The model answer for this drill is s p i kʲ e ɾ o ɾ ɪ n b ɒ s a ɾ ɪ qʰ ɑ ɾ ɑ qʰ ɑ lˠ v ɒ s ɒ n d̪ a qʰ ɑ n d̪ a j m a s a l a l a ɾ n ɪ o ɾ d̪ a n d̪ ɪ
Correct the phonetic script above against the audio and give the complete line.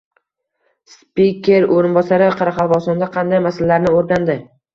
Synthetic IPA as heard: s p i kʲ e ɾ o ɾ ɪ n b ɒ s a ɾ ɪ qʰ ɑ ɾ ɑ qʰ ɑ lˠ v ɒ s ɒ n d̪ a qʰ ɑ n d̪ a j m a s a l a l a ɾ n ɪ o ɾ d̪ a n d̪ ɪ

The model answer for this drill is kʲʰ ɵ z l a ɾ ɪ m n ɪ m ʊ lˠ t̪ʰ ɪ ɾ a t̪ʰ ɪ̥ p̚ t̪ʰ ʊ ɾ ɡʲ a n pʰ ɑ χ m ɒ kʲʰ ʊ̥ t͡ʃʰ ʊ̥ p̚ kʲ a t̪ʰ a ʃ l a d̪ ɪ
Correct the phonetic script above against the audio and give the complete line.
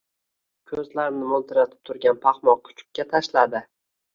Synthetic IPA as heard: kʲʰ ɵ z l a ɾ ɪ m n ɪ m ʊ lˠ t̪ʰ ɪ ɾ a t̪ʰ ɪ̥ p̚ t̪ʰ ʊ ɾ ɡʲ a n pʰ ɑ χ m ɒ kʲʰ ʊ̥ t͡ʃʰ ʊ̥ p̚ kʲ a t̪ʰ a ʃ l a d̪ ɪ

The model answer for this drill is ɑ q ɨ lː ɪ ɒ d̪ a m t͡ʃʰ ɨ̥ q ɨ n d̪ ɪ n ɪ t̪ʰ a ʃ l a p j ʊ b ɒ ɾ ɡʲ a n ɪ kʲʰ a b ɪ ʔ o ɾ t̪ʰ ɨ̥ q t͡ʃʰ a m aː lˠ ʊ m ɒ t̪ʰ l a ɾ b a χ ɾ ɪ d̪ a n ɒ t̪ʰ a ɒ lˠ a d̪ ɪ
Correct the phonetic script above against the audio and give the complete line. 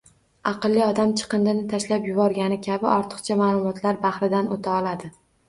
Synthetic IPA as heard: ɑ q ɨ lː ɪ ɒ d̪ a m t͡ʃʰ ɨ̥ q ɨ n d̪ ɪ n ɪ t̪ʰ a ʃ l a p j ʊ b ɒ ɾ ɡʲ a n ɪ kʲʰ a b ɪ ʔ ɒ ɾ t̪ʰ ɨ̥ q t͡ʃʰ a m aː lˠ ʊ m ɒ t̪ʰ l a ɾ b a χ ɾ ɪ d̪ a n o t̪ʰ a ɒ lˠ a d̪ ɪ

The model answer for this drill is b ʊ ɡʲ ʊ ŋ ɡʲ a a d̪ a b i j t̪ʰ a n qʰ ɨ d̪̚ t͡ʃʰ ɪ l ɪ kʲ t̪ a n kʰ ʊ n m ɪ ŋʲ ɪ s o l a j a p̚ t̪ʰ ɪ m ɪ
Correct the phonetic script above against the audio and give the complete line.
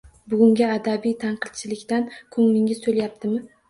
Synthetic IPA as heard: b ʊ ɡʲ ʊ ŋ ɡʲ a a d̪ a b i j t̪ʰ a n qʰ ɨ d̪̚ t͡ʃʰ ɪ l ɪ kʲ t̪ a n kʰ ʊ ŋ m ɪ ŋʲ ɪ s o l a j a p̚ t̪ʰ ɪ m ɪ

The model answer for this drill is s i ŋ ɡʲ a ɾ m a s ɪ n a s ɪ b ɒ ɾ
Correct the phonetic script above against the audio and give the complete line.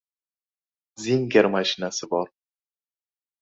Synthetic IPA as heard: z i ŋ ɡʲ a ɾ m a ʃ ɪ n a s ɪ b ɒ ɾ

